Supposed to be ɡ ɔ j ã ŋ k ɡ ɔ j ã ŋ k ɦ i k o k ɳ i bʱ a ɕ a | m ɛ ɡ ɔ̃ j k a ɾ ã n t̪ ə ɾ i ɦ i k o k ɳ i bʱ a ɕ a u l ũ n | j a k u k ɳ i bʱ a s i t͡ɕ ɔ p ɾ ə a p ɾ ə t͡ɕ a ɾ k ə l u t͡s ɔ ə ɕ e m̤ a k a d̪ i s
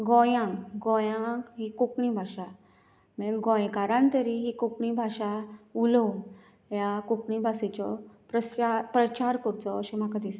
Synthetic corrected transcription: ɡ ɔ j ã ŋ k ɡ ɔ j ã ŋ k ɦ i k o k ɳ i bʱ a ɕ a | m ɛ ɡ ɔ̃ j k a ɾ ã n t̪ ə ɾ i ɦ i k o k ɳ i bʱ a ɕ a u l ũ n | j a k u k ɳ i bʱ a s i t͡ɕ ɔ p ɾ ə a p ɾ ə t͡ɕ a ɾ k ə ɾ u t͡s ɔ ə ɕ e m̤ a k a d̪ i s